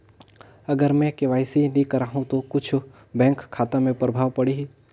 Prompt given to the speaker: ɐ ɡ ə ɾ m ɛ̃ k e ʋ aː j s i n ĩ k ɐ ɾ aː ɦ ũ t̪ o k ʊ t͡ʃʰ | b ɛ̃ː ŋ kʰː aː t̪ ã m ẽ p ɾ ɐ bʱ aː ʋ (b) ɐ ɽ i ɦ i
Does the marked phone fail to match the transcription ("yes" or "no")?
yes